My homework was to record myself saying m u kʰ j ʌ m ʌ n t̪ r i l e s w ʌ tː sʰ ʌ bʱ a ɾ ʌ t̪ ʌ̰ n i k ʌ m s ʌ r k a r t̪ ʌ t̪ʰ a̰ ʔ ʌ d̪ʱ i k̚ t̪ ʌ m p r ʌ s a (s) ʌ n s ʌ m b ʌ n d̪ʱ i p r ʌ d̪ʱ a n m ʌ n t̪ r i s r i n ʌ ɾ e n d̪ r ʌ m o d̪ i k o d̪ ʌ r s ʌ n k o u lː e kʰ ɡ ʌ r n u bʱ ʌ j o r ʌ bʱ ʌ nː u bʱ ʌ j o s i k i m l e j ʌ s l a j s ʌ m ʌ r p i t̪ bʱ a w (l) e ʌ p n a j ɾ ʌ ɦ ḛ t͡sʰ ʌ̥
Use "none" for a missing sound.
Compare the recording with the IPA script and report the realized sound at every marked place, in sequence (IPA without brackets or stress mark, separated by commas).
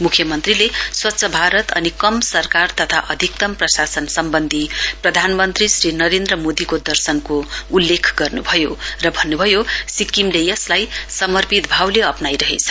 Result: s, l